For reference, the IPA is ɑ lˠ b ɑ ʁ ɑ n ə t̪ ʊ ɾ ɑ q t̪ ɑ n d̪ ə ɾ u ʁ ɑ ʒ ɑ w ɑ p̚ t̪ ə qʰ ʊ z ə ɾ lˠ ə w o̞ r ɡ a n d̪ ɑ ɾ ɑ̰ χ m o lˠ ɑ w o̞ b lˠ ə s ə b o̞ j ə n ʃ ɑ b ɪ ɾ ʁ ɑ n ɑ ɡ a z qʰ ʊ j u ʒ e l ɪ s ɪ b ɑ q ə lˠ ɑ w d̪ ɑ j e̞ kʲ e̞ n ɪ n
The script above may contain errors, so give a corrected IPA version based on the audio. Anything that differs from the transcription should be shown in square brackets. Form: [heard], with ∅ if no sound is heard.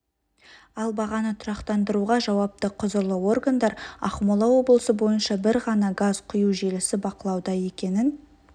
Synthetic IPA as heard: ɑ lˠ b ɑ ʁ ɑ n ə [t̪ʰ] ʊ ɾ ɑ q t̪ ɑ n d̪ ə ɾ u ʁ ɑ ʒ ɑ w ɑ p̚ t̪ ə qʰ ʊ z ə ɾ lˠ ə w o̞ r ɡ a n d̪ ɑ ɾ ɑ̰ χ m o lˠ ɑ w o̞ b lˠ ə s ə b o̞ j ə n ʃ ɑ b ɪ ɾ ʁ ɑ n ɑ ɡ a z qʰ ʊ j u ʒ e l ɪ s ɪ b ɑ q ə lˠ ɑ w d̪ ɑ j e̞ kʲ e̞ n ɪ n

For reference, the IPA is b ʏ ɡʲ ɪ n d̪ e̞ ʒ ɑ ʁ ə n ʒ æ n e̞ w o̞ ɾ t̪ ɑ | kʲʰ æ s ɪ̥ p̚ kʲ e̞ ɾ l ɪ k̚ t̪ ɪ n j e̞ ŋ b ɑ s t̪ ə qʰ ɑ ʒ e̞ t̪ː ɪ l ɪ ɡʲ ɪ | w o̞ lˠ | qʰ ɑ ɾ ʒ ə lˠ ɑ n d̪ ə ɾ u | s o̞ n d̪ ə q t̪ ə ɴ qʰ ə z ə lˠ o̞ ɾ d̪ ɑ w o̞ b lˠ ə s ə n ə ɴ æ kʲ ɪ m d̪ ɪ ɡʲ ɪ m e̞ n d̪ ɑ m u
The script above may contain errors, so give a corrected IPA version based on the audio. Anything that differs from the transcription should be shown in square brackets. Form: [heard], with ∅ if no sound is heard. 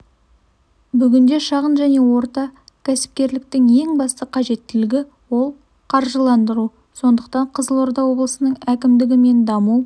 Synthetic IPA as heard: b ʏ ɡʲ ɪ n d̪ e̞ [ʃ] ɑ ʁ ə n ʒ æ n e̞ w o̞ ɾ t̪ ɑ | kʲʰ æ s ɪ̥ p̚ kʲ e̞ ɾ l ɪ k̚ t̪ ɪ [ŋ] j e̞ ŋ b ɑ s t̪ ə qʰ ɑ ʒ e̞ t̪ː ɪ l ɪ ɡʲ ɪ | w o̞ lˠ | qʰ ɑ ɾ ʒ ə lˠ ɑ n d̪ ə ɾ u | s o̞ n d̪ ə q t̪ [ɑ] ɴ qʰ ə z ə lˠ o̞ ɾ d̪ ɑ w o̞ b lˠ ə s ə n ə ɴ æ kʲ ɪ m d̪ ɪ ɡʲ ɪ m e̞ n d̪ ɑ m u

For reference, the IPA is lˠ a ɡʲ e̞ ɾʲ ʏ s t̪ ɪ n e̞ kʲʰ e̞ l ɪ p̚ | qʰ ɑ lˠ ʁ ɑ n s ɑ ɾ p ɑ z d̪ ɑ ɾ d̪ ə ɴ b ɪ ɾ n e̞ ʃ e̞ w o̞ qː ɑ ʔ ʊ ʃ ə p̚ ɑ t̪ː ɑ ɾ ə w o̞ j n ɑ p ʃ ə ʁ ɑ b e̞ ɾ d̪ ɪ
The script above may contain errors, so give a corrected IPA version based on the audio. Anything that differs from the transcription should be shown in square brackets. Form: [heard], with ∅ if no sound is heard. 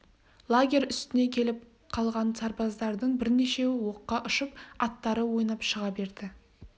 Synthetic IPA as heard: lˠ a ɡʲ e̞ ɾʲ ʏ s t̪ ɪ n e̞ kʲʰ e̞ l ɪ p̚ | qʰ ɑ lˠ ʁ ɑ n s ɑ ɾ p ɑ z d̪ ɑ ɾ d̪ ə ɴ b ɪ ɾ n e̞ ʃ e̞ w o̞ qː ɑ ʔ ʊ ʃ ə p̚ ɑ t̪ː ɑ ɾ ə w o̞ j n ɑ p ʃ ə ʁ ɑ b e̞ ɾ d̪ ɪ

